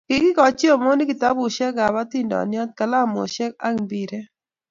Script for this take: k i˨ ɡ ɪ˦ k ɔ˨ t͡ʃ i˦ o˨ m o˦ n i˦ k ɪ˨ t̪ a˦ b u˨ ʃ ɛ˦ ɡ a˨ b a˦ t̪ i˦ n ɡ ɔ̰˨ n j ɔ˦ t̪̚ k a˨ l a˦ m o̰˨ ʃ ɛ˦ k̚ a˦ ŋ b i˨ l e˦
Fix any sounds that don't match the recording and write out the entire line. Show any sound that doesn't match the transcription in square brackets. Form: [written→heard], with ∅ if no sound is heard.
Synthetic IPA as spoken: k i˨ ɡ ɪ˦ k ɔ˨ t͡ʃ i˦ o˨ m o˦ n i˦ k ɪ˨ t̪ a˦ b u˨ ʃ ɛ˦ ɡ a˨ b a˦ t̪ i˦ n [ɡ→d] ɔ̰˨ n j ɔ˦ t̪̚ k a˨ l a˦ m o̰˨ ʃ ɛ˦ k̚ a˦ ŋ b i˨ [l→ɾ] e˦